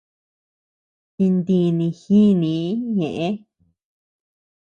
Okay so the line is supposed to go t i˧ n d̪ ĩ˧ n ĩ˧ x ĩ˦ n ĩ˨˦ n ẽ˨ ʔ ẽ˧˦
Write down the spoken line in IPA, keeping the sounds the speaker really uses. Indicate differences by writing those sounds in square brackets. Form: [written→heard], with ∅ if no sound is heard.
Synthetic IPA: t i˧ n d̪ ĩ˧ n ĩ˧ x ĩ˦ n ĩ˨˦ [n→ɲ] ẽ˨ ʔ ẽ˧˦